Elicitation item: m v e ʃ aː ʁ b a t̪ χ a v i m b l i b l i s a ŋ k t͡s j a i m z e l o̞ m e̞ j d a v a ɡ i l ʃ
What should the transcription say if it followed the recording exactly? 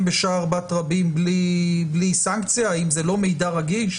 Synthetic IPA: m b e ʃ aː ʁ b a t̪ ʁ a b i m b l i b l i s a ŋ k t͡s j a i m z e l o̞ m e̞ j d a ʁ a ɡ i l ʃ